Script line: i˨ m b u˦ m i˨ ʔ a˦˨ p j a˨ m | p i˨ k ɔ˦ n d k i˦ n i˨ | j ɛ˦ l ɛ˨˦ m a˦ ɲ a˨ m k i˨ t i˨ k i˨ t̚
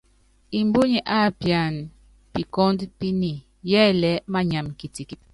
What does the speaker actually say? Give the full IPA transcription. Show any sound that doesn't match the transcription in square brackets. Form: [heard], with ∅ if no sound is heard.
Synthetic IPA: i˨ m b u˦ [ɲ] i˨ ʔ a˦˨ p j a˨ [n] | p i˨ k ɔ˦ n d [p] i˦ n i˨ | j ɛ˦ l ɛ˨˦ m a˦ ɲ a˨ m k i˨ t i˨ k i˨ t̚